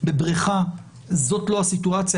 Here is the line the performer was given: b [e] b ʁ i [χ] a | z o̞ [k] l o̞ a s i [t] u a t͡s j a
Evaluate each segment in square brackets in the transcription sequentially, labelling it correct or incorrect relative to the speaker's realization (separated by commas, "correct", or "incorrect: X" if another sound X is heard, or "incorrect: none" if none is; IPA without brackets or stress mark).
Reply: correct, correct, incorrect: t, correct